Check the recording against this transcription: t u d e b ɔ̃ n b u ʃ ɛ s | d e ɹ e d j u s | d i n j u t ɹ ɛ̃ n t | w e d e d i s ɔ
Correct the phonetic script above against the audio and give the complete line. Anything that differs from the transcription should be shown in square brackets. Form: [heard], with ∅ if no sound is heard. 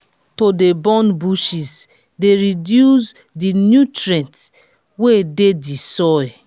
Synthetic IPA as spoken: t [o] d e b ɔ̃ n b u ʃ [i] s | d e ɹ [i] d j u s | d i n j u t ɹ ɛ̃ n t | w e d e d i s ɔ